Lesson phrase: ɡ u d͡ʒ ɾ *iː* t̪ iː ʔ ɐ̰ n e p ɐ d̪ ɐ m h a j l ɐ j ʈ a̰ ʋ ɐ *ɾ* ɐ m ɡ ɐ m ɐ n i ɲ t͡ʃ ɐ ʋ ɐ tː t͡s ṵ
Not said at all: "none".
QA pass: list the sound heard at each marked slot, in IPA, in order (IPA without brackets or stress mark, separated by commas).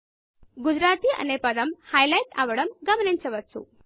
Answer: aː, ɽ